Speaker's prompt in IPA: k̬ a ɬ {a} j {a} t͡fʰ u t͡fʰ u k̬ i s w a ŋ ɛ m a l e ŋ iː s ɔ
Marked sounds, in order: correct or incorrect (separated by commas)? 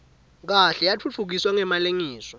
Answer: incorrect, correct